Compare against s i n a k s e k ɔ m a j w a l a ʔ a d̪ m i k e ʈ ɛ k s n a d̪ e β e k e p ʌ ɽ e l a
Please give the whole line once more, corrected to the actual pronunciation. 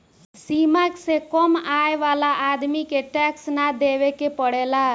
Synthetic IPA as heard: s i m a k s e k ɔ m a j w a l a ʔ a d̪ m i k e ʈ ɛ k s n a d̪ e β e k e p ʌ ɽ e l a